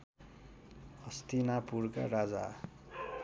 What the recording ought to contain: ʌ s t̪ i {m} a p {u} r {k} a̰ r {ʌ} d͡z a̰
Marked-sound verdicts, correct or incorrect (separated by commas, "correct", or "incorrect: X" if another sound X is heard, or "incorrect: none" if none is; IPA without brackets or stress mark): incorrect: n, correct, correct, incorrect: a